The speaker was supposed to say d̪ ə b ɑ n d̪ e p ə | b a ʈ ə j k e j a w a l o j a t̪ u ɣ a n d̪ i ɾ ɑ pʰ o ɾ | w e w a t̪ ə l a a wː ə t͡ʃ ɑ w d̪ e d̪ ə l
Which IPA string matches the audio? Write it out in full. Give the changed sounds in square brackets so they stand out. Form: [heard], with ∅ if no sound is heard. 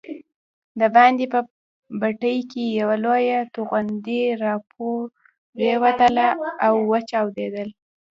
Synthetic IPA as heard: d̪ ə b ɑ n d̪ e p ə | b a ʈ ə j k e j a w a l o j a t̪ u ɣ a n d̪ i ɾ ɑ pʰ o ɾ | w e w a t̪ ə l a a wː ə t͡ʃ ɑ w d̪ e d̪ ə l